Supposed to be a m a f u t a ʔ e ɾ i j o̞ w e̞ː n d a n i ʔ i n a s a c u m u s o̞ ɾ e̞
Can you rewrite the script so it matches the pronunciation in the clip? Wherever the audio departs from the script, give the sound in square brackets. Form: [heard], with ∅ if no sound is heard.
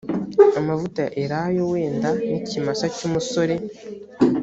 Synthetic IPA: a m a [v] u t a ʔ e ɾ [a] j o̞ w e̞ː n d a n i [c] i [m] a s a c u m u s o̞ ɾ e̞